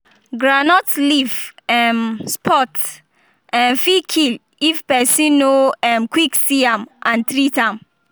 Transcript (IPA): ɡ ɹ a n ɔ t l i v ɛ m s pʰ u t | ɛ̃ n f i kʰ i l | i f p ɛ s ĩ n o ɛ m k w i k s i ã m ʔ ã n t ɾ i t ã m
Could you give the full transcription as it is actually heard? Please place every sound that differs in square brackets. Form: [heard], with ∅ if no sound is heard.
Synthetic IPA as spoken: ɡ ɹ a n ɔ t l i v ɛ m s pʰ [ɔ] t | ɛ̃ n f i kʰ i l | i f p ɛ s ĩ n o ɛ m k w i k s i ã m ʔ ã n t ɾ i t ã m